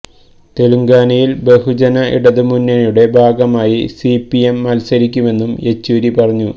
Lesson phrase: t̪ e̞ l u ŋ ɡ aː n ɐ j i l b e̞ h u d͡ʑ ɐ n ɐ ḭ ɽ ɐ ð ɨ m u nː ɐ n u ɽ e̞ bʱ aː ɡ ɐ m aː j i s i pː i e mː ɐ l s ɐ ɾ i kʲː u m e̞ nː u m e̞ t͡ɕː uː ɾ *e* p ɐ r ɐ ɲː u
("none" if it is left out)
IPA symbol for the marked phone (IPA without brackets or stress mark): i